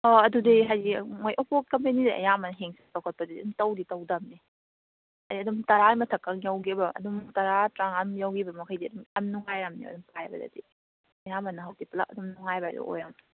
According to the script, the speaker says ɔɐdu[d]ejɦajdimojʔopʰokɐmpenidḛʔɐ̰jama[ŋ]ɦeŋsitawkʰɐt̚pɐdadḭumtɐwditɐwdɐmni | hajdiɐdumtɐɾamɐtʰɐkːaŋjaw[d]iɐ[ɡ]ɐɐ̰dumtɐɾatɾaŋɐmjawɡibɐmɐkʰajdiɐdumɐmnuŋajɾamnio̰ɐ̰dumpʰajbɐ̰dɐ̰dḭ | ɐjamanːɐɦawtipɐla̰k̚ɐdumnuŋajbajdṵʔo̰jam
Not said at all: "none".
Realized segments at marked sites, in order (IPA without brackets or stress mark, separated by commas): d, n, ɡ, b